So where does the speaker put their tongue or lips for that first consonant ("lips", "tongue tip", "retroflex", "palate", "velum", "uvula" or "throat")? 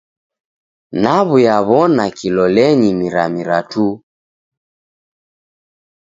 tongue tip